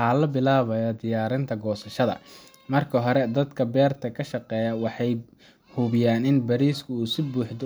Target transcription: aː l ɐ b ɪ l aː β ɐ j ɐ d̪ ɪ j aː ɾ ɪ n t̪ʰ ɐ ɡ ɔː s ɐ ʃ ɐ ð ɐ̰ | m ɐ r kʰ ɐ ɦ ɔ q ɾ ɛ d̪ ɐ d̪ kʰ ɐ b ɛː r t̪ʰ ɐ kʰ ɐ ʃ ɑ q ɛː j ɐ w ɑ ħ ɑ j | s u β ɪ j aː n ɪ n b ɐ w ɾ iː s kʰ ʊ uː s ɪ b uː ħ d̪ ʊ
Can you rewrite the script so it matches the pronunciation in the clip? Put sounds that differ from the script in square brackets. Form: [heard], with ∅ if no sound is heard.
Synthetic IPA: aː l ɐ b ɪ l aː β ɐ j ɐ d̪ ɪ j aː ɾ ɪ n t̪ʰ ɐ ɡ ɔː s ɐ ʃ ɐ ð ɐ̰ | m ɐ r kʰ ɐ ɦ ɔ [∅] ɾ ɛ d̪ ɐ d̪ kʰ ɐ b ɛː r t̪ʰ ɐ kʰ ɐ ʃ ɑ q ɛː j ɐ w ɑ ħ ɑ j | [h] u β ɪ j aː n ɪ n b ɐ [∅] ɾ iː s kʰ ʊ uː s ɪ b uː ħ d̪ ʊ